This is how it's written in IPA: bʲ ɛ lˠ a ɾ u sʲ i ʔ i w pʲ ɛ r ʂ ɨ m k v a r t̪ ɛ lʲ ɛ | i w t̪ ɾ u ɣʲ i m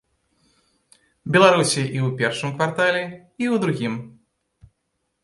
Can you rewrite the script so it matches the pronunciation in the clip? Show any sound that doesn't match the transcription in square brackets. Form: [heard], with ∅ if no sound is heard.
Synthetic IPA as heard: bʲ ɛ lˠ a ɾ u sʲ i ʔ i w pʲ ɛ r ʂ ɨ m k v a r t̪ [a] lʲ ɛ | i w [d̪] ɾ u ɣʲ i m